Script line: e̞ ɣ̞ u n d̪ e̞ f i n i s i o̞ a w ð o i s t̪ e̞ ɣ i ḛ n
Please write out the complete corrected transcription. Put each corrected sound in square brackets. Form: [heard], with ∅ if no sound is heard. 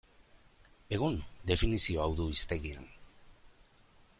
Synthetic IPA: e̞ ɣ̞ u n d̪ e̞ f i n i s i o̞ a w ð [u] i s t̪ e̞ ɣ i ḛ n